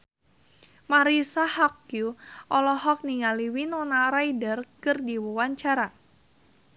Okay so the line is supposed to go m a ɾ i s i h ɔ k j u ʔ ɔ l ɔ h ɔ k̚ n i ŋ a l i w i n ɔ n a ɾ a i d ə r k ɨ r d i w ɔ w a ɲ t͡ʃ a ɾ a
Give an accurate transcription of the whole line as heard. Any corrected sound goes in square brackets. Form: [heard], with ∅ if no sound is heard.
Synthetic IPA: m a ɾ i s [a] h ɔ k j u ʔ ɔ l ɔ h ɔ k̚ n i ŋ a l i w i n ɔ n a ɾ a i d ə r k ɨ r d i w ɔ w a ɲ t͡ʃ a ɾ a